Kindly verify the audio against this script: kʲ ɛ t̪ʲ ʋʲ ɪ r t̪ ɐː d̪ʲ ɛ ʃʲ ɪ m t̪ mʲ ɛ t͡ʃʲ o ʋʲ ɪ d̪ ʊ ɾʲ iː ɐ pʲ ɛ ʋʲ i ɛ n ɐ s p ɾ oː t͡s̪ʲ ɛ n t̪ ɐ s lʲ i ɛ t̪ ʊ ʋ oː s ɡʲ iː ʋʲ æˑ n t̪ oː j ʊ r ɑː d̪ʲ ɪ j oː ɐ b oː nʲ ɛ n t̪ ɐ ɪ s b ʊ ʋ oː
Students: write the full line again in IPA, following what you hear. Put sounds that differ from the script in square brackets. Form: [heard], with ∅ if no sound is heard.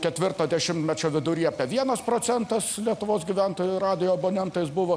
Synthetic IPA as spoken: kʲ ɛ t̪ʲ ʋʲ ɪ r t̪ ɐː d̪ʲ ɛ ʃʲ ɪ m t̪ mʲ ɛ t͡ʃʲ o ʋʲ ɪ d̪ ʊ ɾʲ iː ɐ pʲ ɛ ʋʲ i ɛ n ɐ s p ɾ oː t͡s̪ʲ ɛ n t̪ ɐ s lʲ i ɛ t̪ ʊ ʋ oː s ɡʲ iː ʋʲ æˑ n t̪ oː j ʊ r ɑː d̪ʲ ɪ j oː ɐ b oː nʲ ɛ n t̪ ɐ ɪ s b ʊ ʋ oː